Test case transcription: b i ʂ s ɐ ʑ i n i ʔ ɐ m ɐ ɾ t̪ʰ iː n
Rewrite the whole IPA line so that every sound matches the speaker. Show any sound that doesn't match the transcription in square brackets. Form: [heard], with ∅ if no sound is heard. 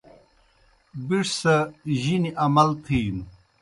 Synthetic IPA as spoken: b i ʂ s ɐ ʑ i n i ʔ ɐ m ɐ [l] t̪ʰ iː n